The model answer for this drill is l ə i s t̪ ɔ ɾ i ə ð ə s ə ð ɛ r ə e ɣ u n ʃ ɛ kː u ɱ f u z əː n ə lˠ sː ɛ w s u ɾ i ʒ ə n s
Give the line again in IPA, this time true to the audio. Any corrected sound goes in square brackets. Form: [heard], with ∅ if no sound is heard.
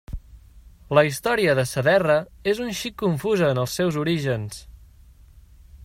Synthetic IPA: l ə i s t̪ ɔ ɾ i ə ð ə s ə ð ɛ r ə e [z] u n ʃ [i] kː u ɱ f u z əː n ə lˠ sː ɛ w [z] u ɾ i ʒ ə n s